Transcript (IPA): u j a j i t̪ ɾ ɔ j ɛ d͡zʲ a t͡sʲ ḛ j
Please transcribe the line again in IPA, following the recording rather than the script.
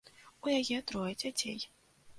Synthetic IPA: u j a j ɛ t̪ ɾ ɔ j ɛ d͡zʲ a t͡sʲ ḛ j